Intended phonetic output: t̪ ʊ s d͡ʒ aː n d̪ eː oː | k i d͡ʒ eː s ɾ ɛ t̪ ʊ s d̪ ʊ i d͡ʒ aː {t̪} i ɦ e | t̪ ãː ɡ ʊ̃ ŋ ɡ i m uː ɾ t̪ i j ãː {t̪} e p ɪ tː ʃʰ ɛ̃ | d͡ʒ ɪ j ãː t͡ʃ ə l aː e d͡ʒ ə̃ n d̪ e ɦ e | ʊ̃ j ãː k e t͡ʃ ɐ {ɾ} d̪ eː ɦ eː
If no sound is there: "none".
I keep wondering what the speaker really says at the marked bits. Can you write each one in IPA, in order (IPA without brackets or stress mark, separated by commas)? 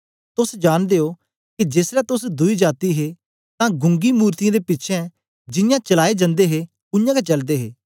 t̪, d̪, l